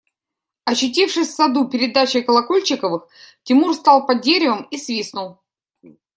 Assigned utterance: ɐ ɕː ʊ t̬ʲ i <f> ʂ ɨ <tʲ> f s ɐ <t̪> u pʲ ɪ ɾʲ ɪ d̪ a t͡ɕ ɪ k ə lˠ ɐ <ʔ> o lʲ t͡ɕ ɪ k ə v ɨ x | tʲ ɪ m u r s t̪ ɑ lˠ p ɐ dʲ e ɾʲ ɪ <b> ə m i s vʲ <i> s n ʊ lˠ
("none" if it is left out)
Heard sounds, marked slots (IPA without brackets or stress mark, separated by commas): f, sʲ, d̪, k, v, i